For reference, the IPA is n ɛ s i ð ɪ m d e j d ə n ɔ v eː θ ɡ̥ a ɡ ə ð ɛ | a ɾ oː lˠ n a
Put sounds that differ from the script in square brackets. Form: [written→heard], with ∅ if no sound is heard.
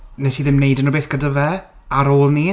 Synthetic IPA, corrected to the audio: n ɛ s i ð ɪ m [d→n] e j d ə n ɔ [v→b] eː θ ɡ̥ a [ɡ→d] ə [ð→v] ɛ | a ɾ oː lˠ n [a→i]